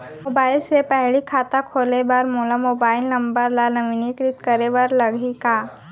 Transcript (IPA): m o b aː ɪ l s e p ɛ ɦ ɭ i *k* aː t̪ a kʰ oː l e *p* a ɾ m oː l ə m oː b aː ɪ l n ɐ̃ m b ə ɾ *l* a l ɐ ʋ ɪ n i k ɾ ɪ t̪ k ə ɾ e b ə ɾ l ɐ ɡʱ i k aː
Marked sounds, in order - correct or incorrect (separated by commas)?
incorrect, incorrect, correct